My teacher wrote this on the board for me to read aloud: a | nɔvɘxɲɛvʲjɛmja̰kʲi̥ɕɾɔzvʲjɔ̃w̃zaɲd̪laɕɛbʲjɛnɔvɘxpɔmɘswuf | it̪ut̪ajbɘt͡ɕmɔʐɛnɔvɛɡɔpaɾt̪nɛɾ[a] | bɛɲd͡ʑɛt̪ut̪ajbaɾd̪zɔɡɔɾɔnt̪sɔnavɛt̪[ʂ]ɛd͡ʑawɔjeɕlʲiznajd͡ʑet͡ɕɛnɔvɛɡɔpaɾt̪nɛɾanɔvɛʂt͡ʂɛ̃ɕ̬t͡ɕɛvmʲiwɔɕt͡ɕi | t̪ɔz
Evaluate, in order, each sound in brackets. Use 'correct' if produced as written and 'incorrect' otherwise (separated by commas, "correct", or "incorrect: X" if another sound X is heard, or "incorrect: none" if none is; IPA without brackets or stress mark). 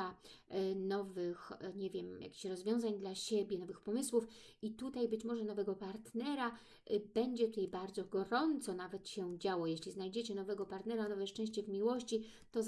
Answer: correct, incorrect: ɕ